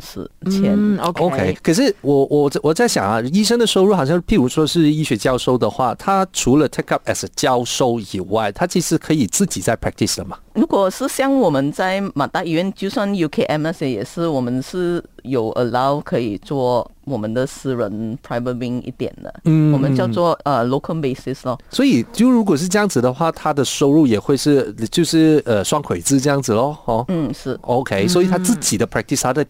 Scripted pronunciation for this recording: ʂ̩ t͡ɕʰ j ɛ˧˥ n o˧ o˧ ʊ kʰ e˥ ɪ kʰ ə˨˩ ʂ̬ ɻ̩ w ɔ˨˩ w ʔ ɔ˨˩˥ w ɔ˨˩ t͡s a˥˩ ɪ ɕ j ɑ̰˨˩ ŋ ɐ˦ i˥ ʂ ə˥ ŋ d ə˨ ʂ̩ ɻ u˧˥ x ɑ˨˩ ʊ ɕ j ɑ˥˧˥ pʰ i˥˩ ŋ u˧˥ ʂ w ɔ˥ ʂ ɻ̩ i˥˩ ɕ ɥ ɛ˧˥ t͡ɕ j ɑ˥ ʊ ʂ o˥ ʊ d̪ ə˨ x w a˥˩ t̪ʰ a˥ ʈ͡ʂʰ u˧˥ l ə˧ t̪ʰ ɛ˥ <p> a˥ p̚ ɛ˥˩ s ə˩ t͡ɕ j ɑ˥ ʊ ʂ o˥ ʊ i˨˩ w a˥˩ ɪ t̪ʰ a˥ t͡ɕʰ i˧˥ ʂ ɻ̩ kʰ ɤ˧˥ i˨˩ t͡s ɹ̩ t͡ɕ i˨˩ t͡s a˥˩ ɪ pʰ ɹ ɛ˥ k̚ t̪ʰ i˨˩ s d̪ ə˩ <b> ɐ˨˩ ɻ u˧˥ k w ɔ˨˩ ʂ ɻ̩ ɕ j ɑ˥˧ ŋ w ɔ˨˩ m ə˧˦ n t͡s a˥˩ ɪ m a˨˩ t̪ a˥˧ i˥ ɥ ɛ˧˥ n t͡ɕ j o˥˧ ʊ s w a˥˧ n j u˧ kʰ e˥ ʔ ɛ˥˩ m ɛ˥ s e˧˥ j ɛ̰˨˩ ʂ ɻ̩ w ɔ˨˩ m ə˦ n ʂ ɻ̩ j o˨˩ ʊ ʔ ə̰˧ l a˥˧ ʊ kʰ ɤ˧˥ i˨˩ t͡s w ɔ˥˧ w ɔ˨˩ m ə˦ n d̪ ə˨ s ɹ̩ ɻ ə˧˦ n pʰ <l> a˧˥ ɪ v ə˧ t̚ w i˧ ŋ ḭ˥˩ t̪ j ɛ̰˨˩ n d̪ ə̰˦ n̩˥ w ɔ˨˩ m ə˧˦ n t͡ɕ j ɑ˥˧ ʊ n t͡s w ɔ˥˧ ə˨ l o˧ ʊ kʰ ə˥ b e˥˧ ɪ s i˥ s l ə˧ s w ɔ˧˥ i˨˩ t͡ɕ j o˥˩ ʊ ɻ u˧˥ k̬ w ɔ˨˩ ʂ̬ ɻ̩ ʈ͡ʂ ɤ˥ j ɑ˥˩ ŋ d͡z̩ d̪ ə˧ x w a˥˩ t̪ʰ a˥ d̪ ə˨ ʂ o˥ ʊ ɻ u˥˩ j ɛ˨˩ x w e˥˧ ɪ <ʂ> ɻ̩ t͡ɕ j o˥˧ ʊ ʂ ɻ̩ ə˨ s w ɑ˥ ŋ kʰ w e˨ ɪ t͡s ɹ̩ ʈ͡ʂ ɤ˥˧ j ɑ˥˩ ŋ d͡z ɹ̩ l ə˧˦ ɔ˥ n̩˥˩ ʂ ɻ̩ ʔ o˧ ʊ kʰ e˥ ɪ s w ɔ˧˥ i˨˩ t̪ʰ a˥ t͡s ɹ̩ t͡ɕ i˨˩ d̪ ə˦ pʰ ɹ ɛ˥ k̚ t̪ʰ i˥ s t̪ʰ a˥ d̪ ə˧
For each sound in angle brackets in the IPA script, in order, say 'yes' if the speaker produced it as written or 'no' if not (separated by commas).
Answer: no, no, no, yes